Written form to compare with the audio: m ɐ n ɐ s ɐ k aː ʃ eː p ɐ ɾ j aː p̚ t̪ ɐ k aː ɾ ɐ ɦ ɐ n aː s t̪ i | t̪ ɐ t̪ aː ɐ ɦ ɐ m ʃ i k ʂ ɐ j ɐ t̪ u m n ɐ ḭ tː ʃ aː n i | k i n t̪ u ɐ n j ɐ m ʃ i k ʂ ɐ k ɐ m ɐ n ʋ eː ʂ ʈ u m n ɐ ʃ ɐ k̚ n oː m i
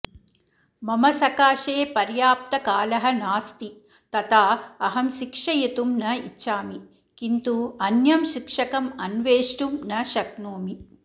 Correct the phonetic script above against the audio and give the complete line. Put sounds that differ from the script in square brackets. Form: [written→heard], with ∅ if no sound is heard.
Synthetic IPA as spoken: m ɐ [n→m] ɐ s ɐ k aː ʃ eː p ɐ ɾ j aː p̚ t̪ ɐ k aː [ɾ→l] ɐ ɦ ɐ n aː s t̪ i | t̪ ɐ t̪ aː ɐ ɦ ɐ m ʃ i k ʂ ɐ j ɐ t̪ u m n ɐ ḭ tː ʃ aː [n→m] i | k i n t̪ u ɐ n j ɐ m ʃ i k ʂ ɐ k ɐ m ɐ n ʋ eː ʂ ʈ u m n ɐ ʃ ɐ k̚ n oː m i